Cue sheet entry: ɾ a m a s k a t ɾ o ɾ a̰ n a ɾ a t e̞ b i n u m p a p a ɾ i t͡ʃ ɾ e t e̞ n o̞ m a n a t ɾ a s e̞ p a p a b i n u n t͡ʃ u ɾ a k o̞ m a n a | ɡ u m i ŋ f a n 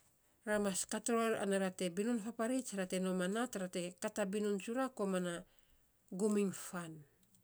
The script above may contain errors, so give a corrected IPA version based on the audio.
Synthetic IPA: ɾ a m a s k a t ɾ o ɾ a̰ n a ɾ a t e̞ b i n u n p a p a ɾ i t͡ʃ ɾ a t e̞ n o̞ m a n a t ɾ a t e̞ k a t a b i n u n t͡ʃ u ɾ a k o̞ m a n a | ɡ u m i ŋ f a n